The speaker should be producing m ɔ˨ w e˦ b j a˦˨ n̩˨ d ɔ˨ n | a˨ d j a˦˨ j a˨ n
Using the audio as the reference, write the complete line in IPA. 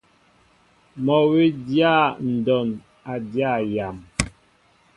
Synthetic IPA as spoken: m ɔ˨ w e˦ d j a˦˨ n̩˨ d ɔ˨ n | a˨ d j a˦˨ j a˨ m

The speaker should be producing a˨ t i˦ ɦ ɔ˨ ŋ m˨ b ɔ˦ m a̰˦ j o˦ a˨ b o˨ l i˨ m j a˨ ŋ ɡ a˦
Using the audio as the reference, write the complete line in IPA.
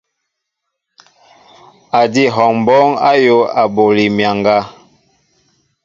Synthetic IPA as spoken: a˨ d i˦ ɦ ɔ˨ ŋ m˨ b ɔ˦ ŋ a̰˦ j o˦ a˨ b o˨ l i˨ m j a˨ ŋ ɡ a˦

